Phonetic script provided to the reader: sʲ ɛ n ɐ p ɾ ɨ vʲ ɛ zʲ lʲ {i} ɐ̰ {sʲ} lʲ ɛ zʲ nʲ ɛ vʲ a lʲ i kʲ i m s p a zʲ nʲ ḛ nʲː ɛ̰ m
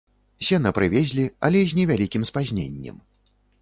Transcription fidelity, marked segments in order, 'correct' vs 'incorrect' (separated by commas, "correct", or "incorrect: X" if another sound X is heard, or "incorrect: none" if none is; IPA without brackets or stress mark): correct, incorrect: none